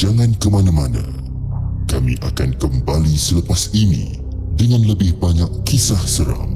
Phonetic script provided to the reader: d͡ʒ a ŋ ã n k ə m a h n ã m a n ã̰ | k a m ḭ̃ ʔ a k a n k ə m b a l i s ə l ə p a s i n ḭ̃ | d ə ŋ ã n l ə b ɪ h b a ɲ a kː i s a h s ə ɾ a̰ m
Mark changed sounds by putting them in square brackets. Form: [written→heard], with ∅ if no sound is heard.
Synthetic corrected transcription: d͡ʒ a ŋ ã n k ə m a [h→∅] n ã m a n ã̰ | k a m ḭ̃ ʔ a k a n k ə m b a l i s ə l ə p a s i n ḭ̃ | d ə ŋ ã n l ə b ɪ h b a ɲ a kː i s a h s ə ɾ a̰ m